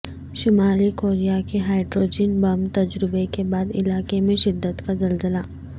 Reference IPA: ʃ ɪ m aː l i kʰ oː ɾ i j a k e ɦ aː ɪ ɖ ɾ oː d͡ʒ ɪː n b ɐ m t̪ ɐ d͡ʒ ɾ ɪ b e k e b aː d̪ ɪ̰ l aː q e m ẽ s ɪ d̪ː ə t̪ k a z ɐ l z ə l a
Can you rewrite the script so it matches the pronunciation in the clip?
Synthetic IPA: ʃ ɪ m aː l i k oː ɾ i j a k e ɦ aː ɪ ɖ ɾ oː d͡ʒ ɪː n b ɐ m t̪ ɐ d͡ʒ ɾ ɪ b e k e b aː d̪ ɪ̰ l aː k e m ẽ ʃ ɪ d̪ː ə t̪ k a z ɐ l z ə l a